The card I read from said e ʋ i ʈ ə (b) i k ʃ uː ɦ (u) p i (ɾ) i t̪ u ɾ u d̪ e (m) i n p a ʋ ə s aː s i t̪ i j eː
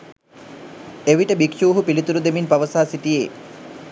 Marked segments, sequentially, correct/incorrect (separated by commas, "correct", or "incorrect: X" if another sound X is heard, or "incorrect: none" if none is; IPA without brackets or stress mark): correct, correct, incorrect: l, correct